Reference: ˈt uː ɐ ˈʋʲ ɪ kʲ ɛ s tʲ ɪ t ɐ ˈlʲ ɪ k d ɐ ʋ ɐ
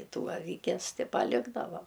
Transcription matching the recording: ˈt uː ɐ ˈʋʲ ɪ kʲ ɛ s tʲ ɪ p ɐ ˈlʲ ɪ ɡ d ɐ ʋ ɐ